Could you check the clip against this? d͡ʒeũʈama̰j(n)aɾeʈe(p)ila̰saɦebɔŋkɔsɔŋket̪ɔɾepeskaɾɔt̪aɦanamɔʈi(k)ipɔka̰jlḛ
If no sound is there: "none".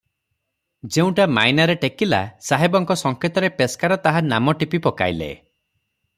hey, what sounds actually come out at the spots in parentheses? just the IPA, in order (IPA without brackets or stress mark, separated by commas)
n, k, p